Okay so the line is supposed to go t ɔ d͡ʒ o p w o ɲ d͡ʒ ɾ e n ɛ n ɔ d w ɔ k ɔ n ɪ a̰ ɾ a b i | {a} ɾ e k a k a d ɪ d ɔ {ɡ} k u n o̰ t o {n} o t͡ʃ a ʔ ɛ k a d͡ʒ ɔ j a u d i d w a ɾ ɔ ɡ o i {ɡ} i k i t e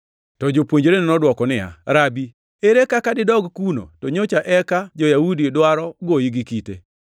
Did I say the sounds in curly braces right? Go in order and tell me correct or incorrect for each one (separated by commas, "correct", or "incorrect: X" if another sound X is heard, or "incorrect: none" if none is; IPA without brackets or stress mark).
incorrect: e, correct, incorrect: ɲ, correct